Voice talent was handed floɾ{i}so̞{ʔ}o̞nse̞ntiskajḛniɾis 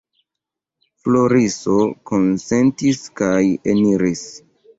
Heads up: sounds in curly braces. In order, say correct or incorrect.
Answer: correct, incorrect

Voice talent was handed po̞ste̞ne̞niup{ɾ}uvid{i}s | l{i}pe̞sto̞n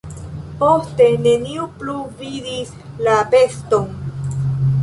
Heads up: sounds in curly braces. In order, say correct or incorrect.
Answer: incorrect, correct, incorrect

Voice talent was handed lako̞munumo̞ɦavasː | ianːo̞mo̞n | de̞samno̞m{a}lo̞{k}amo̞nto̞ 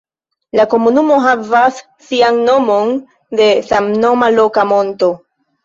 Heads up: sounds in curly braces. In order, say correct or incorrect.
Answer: correct, correct

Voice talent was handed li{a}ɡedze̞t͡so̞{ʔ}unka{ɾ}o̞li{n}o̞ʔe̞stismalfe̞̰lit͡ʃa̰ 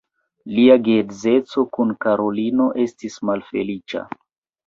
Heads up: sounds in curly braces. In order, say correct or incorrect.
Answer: correct, incorrect, correct, correct

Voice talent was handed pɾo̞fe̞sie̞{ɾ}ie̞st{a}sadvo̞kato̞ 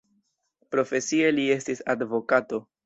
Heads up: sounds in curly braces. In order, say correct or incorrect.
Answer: incorrect, incorrect

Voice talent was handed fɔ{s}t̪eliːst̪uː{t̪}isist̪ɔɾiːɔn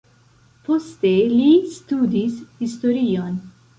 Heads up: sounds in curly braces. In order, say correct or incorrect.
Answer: correct, incorrect

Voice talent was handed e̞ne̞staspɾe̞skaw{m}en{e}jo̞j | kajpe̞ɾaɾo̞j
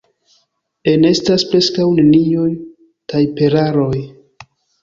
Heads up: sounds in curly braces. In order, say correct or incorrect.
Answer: incorrect, incorrect

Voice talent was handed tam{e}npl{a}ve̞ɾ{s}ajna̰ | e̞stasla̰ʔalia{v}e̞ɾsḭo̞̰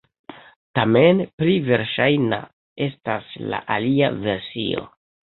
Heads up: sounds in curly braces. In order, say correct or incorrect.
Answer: correct, incorrect, incorrect, correct

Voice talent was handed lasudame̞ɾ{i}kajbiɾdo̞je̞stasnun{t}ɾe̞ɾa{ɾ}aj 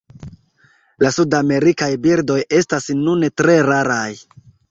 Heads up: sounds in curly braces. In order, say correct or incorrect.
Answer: correct, correct, correct

